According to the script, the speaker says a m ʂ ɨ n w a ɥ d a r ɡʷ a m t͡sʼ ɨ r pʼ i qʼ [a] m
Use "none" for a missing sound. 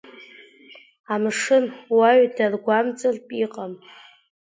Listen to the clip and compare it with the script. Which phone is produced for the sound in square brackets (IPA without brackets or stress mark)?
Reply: a